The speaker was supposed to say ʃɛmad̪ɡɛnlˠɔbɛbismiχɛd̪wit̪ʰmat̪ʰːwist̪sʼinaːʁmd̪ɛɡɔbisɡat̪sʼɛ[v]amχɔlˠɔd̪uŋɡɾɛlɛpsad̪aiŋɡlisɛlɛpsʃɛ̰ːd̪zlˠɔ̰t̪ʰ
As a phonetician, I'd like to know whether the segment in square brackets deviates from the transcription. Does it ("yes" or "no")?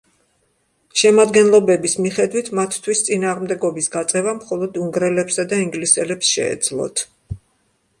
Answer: no